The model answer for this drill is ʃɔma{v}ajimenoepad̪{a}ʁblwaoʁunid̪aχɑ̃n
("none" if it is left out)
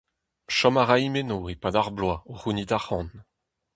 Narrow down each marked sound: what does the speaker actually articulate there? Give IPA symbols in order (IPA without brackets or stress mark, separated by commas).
ʁ, a